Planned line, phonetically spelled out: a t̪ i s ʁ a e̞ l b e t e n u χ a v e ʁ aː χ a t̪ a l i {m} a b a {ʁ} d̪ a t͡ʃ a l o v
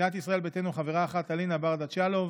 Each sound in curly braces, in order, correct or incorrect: incorrect: n, correct

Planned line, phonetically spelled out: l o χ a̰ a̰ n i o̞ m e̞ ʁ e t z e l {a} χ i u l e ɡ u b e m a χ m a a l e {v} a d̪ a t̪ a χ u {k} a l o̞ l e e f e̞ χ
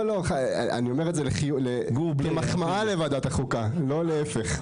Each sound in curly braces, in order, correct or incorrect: incorrect: e, correct, correct

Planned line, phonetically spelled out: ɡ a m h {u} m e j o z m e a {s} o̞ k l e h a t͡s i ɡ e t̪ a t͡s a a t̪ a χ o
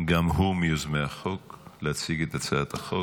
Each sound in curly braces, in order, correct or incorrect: correct, incorrect: χ

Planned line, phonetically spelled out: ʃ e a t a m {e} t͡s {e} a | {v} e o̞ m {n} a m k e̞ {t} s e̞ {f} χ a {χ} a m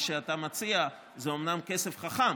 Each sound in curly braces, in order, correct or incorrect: incorrect: a, incorrect: i, incorrect: z, correct, incorrect: none, correct, correct

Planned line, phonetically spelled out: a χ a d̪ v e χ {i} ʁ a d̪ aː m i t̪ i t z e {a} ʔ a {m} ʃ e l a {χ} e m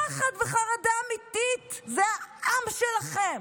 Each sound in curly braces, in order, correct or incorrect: incorrect: a, correct, correct, correct

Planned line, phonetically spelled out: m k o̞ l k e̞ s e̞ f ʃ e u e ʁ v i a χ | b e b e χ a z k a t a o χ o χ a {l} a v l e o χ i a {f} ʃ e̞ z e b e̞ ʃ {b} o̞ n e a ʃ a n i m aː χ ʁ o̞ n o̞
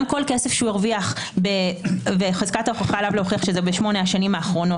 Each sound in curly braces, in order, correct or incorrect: correct, incorrect: χ, incorrect: m

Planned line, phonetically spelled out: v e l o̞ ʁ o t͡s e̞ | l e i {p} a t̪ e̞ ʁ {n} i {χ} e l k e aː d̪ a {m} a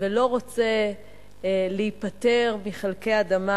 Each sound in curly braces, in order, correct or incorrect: correct, incorrect: m, correct, correct

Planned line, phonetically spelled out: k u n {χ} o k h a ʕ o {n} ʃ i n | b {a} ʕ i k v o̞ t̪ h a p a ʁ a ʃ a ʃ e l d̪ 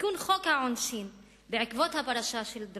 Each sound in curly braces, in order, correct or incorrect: correct, correct, incorrect: e

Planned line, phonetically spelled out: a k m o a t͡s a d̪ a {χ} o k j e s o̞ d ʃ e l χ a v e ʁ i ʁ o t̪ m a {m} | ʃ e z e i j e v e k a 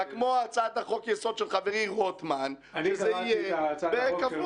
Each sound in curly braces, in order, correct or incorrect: correct, incorrect: n

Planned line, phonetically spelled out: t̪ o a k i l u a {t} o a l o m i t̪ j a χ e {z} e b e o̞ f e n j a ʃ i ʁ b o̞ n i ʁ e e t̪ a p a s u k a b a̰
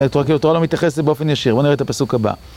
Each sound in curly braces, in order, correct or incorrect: correct, incorrect: s

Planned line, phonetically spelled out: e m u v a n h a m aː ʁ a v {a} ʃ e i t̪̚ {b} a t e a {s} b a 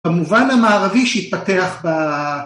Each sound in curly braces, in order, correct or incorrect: incorrect: i, incorrect: p, incorrect: χ

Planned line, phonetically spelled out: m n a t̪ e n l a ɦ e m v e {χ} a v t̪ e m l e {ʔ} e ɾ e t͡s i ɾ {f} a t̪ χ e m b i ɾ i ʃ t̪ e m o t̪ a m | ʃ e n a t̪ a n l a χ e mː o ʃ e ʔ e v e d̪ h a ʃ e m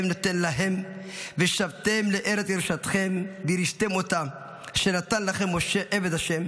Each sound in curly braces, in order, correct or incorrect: incorrect: ʃ, correct, incorrect: ʃ

